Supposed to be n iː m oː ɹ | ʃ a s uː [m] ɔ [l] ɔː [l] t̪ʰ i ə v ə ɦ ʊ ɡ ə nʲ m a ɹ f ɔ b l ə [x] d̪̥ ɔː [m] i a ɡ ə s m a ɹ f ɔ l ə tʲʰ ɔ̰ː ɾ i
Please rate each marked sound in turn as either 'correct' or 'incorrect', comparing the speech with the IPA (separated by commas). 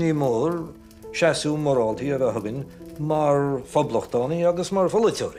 correct, incorrect, correct, correct, incorrect